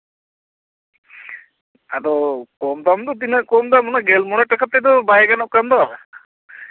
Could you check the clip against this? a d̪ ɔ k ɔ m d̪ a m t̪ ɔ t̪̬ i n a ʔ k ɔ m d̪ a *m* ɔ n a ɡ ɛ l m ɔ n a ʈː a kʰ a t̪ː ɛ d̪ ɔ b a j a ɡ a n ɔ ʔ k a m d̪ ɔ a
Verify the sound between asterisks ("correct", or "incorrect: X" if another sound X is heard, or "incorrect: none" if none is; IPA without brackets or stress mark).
correct